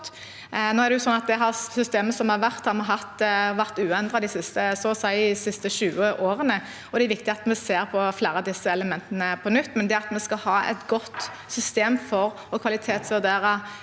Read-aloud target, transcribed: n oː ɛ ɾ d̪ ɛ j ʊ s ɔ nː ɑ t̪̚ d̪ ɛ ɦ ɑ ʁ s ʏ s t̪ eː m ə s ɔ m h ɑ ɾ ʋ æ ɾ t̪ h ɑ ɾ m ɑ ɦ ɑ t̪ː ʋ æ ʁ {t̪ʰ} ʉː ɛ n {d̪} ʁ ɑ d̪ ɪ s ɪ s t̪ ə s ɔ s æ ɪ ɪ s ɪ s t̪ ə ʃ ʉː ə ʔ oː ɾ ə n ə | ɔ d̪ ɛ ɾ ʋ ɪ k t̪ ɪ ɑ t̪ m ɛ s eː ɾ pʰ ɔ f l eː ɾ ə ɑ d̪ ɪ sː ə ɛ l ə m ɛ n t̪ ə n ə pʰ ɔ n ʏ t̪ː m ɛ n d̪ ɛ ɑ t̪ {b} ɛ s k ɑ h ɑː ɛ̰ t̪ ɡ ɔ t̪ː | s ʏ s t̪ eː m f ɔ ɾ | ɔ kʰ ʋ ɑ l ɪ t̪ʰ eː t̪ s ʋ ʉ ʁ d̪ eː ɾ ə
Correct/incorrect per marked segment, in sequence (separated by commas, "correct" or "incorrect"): incorrect, correct, incorrect